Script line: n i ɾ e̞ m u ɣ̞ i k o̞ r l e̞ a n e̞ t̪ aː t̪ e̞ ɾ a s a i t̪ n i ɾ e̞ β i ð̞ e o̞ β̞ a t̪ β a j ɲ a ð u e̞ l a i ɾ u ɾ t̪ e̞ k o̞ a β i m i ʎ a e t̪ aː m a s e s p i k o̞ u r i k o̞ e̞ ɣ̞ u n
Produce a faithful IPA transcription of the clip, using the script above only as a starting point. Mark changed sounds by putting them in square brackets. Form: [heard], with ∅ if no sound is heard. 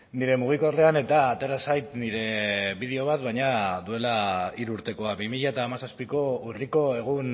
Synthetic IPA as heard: n i ɾ e̞ m u ɣ̞ i k o̞ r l e̞ a n e̞ t̪ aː t̪ e̞ ɾ a s a [j] t̪ n i ɾ e̞ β i ð̞ e o̞ β̞ a t̪ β a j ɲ a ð u e̞ l a i ɾ u ɾ t̪ e̞ k o̞ a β i m i ʎ a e t̪ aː m a s [a] s p i k o̞ u r i k o̞ e̞ ɣ̞ u n

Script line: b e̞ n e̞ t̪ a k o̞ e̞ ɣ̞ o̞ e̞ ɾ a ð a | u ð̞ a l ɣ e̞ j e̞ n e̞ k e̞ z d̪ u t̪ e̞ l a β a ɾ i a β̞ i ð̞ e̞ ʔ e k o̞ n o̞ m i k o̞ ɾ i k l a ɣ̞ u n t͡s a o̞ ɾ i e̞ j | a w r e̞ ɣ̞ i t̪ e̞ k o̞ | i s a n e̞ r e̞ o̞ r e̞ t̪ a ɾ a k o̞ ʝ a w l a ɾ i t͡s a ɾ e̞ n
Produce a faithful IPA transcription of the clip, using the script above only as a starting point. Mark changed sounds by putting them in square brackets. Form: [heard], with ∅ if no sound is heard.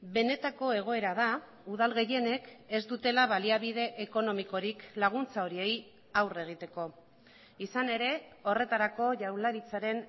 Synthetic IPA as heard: b e̞ n e̞ t̪ a k o̞ e̞ ɣ̞ o̞ e̞ ɾ a ð a | u ð̞ a l ɣ e̞ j e̞ n e̞ k e̞ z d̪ u t̪ e̞ l a β a [l] i a β̞ i ð̞ e̞ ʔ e k o̞ n o̞ m i k o̞ ɾ i k l a ɣ̞ u n t͡s a o̞ ɾ i e̞ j | a w r e̞ ɣ̞ i t̪ e̞ k o̞ | i s a n e̞ [ɾ] e̞ o̞ r e̞ t̪ a ɾ a k o̞ ʝ a w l a ɾ i t͡s a ɾ e̞ n

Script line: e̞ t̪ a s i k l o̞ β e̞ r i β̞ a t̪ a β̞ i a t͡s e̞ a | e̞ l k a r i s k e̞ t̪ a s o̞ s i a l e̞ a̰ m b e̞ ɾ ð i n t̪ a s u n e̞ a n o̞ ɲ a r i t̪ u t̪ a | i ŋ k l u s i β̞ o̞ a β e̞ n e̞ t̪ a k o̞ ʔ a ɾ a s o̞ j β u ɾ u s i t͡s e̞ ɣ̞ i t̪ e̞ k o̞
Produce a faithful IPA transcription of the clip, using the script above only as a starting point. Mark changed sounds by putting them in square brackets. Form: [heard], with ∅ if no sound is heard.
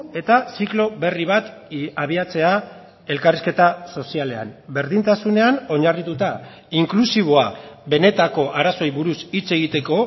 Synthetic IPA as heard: e̞ t̪ a s i k l o̞ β e̞ r i β̞ a t̪ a β̞ i a t͡s e̞ a | e̞ l k a r i s k e̞ t̪ a s o̞ s i a l e̞ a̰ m b e̞ ɾ ð i n t̪ a s u n e̞ a n o̞ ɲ a r i t̪ u t̪ a | i ŋ k l u s i β̞ o̞ a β e̞ n e̞ t̪ a k o̞ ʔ a ɾ a s o̞ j β u ɾ u s i t͡s e̞ ɣ̞ i t̪ e̞ k o̞

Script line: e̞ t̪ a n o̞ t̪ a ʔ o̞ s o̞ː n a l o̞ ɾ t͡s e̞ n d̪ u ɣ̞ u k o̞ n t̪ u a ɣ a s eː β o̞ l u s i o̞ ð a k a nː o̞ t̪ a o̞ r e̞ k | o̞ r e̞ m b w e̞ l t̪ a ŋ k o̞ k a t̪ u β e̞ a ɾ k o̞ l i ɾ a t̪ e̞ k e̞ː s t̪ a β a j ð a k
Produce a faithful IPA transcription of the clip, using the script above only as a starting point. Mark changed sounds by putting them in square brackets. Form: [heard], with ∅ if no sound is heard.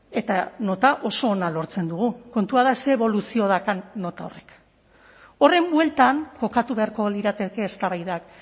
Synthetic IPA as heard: e̞ t̪ a n o̞ t̪ a ʔ o̞ s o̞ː n a l o̞ ɾ t͡s e̞ n d̪ u ɣ̞ u k o̞ n t̪ u a [ð] a s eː β o̞ l u s i o̞ ð a k a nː o̞ t̪ a o̞ r e̞ k | o̞ r e̞ m b w e̞ l t̪ a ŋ k o̞ k a t̪ u β e̞ a ɾ k o̞ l i ɾ a t̪ e̞ k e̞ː s t̪ a β a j ð a k

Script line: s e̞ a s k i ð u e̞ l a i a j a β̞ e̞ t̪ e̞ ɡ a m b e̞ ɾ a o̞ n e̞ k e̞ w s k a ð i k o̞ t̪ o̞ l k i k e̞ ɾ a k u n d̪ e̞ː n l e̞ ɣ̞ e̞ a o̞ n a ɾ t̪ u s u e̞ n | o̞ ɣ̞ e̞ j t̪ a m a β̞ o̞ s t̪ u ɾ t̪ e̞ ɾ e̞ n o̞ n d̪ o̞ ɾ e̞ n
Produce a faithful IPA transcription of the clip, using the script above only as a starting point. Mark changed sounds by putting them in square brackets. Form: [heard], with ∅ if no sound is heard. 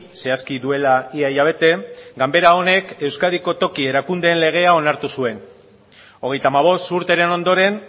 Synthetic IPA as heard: s e̞ a s k i ð u e̞ l a i a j a β̞ e̞ t̪ e̞ ɡ a m b e̞ ɾ a o̞ n e̞ k e̞ w s k a ð i k o̞ t̪ o̞ [∅] k i [∅] e̞ ɾ a k u n d̪ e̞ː n l e̞ ɣ̞ e̞ a o̞ n a ɾ t̪ u s u e̞ n | o̞ ɣ̞ e̞ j t̪ a m a β̞ o̞ s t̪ u ɾ t̪ e̞ ɾ e̞ n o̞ n d̪ o̞ ɾ e̞ n

